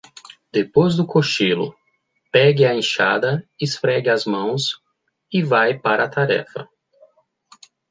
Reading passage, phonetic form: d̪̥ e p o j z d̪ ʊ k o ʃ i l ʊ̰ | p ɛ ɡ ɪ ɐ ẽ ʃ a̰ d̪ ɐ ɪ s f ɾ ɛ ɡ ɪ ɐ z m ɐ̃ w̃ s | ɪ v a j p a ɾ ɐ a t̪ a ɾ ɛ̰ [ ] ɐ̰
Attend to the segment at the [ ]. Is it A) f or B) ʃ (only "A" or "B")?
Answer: A